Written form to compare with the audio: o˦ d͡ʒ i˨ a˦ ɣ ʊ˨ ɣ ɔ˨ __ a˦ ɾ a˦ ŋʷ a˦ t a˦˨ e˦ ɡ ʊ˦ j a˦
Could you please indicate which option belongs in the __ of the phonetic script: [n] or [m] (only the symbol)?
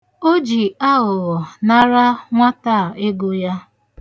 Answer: n